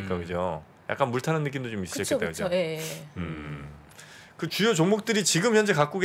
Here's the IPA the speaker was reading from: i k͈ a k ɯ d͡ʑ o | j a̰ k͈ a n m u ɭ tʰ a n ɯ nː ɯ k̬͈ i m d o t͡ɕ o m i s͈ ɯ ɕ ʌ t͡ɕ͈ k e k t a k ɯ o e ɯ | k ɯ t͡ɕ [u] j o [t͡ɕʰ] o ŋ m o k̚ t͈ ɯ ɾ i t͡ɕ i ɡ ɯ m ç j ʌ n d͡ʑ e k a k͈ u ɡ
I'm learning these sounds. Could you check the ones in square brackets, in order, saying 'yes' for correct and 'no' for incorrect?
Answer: yes, no

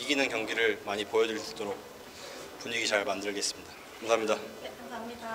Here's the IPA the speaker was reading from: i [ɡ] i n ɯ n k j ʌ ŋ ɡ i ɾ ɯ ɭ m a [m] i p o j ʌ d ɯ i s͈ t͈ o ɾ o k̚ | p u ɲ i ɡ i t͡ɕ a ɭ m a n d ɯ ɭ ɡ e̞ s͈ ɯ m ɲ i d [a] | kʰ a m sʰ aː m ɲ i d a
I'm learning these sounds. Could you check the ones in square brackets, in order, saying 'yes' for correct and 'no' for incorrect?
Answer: yes, no, yes

